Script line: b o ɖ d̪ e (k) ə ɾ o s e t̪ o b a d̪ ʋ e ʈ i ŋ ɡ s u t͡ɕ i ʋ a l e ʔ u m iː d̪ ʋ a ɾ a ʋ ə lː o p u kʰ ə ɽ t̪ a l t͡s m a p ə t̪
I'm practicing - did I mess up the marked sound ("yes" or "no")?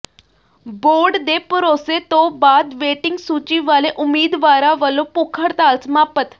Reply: yes